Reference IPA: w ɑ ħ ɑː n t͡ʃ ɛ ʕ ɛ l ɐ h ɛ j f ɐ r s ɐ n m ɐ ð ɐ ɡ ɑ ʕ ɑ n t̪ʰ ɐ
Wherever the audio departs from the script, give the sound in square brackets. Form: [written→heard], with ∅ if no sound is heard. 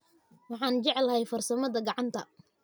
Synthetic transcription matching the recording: w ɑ ħ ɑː n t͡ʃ ɛ ʕ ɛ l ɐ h ɛ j f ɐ r s ɐ [n→∅] m ɐ ð ɐ ɡ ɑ ʕ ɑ n t̪ʰ ɐ